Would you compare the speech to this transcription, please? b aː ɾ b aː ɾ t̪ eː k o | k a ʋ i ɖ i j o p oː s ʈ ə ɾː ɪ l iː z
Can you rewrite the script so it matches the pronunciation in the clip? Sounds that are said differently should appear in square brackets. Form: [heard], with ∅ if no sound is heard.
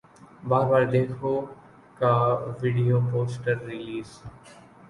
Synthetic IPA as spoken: b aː ɾ b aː ɾ [d̪] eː [kʰ] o | k a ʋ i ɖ i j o p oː s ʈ ə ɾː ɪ l iː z